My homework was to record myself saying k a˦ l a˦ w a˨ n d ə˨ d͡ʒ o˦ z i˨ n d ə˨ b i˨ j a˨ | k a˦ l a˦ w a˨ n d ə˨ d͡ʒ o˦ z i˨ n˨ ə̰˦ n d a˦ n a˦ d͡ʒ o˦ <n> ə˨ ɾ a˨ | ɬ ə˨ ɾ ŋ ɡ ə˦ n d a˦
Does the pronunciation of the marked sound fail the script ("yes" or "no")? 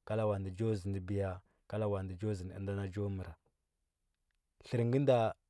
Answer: yes